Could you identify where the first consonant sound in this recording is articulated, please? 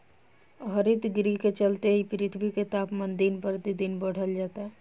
glottal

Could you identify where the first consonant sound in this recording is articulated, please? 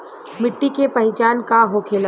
labial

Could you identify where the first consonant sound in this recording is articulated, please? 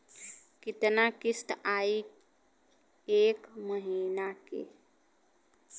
velar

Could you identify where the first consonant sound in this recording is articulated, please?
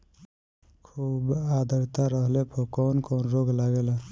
velar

